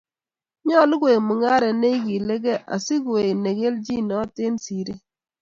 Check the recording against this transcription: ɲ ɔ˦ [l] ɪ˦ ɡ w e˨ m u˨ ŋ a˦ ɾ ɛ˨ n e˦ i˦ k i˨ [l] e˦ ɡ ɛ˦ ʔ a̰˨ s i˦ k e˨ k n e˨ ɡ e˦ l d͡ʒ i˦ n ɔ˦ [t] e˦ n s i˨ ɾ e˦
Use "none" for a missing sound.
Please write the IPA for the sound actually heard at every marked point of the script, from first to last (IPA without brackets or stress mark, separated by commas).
l, l, t